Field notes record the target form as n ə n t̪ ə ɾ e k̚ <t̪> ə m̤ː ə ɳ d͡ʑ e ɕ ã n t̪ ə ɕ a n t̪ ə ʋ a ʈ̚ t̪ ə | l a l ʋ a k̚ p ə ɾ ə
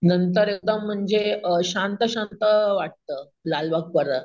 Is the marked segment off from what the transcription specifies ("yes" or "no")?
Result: yes